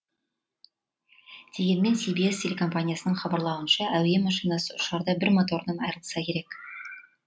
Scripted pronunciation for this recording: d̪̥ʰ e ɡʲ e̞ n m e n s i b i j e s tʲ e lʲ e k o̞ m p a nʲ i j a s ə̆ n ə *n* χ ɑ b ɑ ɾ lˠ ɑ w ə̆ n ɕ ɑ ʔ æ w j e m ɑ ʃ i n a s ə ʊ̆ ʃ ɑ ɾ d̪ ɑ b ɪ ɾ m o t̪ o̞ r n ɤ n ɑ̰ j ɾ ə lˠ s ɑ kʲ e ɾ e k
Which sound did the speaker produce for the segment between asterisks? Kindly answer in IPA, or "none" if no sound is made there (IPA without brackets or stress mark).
ɴ